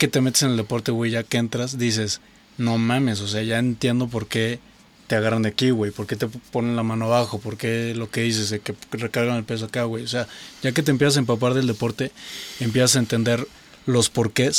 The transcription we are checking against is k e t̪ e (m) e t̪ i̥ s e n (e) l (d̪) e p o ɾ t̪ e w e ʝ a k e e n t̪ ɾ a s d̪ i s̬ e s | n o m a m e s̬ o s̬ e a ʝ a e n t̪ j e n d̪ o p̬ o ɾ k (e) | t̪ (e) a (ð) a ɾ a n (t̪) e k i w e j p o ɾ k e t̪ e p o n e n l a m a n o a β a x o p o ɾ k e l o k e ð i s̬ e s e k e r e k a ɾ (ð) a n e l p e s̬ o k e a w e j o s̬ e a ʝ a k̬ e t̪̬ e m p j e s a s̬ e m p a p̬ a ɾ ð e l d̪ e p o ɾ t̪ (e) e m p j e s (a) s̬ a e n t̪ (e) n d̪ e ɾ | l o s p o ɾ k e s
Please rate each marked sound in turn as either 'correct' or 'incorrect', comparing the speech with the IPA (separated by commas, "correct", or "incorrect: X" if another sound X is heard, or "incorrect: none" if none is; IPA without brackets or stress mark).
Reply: correct, correct, correct, correct, correct, incorrect: ɣ, incorrect: d̪, incorrect: ɣ, correct, correct, correct